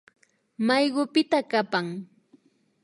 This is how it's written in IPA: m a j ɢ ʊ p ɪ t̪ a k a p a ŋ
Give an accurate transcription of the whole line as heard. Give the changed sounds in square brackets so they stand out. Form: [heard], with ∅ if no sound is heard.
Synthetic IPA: m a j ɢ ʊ p ɪ t̪ a k a p a ŋ